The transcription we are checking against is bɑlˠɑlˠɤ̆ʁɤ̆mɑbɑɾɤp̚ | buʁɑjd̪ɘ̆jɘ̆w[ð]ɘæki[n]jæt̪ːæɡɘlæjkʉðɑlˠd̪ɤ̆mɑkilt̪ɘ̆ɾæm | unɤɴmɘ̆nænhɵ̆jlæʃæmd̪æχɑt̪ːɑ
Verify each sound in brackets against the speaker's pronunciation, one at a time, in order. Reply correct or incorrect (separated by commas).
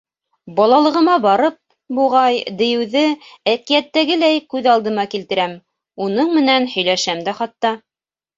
correct, incorrect